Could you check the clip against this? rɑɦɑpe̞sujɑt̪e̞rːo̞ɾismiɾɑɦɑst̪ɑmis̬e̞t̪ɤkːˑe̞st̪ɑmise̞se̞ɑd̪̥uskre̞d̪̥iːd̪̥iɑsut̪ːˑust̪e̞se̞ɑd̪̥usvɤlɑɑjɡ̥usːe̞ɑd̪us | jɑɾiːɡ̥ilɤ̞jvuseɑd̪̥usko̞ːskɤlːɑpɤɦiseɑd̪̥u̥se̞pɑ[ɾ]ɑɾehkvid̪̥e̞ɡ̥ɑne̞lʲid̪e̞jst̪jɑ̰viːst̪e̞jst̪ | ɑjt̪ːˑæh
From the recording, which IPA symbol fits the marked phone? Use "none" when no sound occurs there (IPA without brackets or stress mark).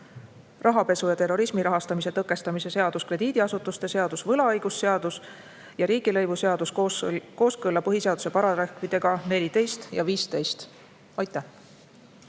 ɾ